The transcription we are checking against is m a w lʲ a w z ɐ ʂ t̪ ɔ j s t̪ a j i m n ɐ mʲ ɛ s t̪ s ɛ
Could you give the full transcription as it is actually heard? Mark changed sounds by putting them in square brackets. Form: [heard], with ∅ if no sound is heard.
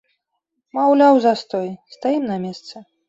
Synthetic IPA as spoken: m a w lʲ a w z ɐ [s] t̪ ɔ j s t̪ a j i m n ɐ mʲ ɛ s t̪ s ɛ